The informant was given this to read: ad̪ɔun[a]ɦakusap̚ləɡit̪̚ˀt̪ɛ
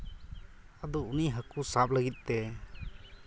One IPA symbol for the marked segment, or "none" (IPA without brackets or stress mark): i